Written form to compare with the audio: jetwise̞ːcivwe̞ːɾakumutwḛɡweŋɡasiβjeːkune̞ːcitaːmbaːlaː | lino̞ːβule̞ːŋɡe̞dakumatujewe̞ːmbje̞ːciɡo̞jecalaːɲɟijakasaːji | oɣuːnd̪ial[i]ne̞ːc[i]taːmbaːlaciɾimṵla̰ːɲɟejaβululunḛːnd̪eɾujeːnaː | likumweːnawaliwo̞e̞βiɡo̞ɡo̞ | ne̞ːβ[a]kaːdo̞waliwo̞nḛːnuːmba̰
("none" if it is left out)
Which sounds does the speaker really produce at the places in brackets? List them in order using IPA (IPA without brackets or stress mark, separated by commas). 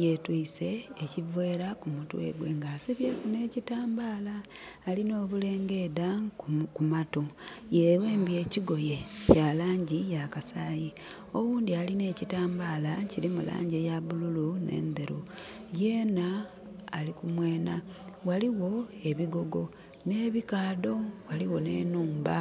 i, i, i